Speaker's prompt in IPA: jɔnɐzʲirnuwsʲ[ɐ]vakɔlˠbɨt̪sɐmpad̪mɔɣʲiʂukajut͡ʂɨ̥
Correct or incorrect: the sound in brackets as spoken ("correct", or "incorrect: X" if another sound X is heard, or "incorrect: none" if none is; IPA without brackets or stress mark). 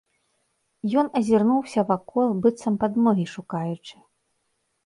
correct